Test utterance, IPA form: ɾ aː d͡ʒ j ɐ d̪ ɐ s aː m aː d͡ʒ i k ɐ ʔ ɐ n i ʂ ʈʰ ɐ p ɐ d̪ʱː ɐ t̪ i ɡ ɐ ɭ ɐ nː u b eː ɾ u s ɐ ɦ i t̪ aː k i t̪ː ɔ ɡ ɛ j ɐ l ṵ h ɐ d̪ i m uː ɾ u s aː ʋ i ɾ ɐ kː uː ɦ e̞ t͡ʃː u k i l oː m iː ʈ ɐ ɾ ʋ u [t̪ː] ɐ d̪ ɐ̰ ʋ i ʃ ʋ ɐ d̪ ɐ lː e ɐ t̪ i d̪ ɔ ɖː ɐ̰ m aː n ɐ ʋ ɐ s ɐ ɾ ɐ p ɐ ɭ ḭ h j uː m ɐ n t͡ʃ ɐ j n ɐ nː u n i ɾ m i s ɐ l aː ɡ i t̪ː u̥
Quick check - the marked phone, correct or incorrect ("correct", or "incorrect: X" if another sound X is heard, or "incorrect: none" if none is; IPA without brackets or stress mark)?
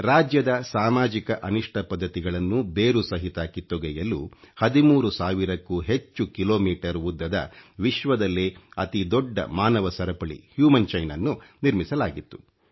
incorrect: d̪ː